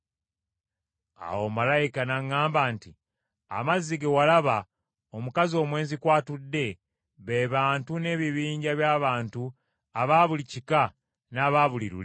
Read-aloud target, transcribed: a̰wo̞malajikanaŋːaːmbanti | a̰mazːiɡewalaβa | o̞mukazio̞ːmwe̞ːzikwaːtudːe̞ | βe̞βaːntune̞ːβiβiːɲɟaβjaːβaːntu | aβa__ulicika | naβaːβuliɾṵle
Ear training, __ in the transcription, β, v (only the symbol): β